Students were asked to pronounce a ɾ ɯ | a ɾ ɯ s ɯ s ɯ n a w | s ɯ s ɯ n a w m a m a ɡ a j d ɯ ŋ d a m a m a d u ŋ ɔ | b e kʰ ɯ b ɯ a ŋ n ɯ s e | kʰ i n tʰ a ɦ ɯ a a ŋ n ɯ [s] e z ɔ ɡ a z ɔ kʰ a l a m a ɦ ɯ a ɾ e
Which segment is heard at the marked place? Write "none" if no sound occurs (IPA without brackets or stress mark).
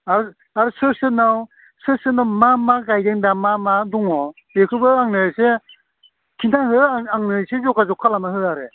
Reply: s